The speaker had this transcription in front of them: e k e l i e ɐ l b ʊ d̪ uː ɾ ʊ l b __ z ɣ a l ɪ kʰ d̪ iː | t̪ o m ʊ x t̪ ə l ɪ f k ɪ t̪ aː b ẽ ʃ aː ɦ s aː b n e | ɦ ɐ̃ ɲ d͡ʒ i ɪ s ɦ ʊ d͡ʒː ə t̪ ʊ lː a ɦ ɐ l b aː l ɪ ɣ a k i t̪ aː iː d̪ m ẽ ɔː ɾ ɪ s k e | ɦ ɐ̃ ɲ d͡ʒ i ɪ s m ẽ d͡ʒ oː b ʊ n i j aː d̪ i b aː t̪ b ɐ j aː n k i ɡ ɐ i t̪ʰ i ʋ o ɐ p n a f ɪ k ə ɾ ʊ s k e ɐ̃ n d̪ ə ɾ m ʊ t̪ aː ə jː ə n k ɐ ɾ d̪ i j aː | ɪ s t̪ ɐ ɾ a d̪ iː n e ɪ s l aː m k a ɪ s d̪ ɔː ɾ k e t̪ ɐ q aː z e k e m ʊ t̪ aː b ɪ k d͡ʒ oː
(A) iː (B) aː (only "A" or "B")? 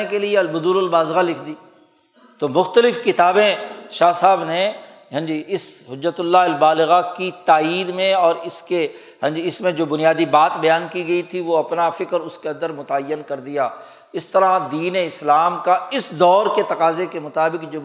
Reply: B